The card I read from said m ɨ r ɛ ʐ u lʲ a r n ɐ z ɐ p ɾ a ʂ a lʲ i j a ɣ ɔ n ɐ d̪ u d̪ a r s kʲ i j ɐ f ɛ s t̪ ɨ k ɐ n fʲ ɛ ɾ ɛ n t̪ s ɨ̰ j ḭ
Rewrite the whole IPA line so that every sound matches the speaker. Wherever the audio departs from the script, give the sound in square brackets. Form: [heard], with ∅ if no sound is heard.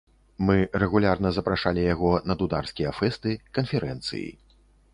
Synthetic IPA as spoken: m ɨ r ɛ [ɣ] u lʲ a r n ɐ z ɐ p ɾ a ʂ a lʲ i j a ɣ ɔ n ɐ d̪ u d̪ a r s kʲ i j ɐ f ɛ s t̪ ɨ k ɐ n fʲ ɛ ɾ ɛ n t̪ s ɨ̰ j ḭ